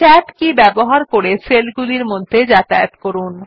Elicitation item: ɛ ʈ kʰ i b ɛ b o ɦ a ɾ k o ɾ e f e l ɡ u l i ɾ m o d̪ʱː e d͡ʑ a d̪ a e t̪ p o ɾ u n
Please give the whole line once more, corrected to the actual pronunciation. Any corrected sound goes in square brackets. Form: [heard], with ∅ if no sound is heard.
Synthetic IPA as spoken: ɛ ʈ [k] i b ɛ b o ɦ a ɾ k o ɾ e [s] e l ɡ u l i ɾ m o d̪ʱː e d͡ʑ a [t̪] a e t̪ [k] o ɾ u n